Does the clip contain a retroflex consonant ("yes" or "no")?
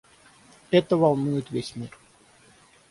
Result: no